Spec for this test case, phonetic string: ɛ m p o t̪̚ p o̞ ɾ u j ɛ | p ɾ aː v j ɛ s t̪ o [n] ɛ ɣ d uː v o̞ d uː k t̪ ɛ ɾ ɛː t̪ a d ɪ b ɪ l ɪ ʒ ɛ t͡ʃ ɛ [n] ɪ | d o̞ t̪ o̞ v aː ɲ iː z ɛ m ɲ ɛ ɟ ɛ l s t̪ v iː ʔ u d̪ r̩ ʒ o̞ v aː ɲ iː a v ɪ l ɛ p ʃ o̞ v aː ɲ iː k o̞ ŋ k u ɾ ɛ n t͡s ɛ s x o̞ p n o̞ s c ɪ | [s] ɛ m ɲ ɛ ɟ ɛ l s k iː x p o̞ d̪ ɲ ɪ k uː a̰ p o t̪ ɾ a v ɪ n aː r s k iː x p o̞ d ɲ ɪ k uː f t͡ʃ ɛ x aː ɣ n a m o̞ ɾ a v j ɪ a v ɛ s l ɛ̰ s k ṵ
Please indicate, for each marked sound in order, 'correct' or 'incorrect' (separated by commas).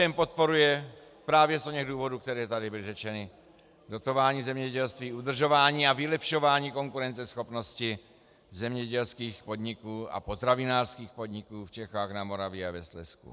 incorrect, correct, incorrect